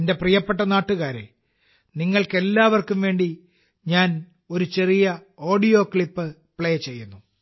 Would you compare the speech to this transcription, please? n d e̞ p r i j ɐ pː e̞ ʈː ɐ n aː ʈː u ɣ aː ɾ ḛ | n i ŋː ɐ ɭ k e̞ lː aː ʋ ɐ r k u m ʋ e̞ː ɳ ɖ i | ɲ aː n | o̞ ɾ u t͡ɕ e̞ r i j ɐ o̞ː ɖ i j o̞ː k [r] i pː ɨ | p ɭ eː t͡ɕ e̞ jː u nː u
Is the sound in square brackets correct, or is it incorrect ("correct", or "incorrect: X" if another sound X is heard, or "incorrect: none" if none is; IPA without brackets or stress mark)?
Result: incorrect: ɭ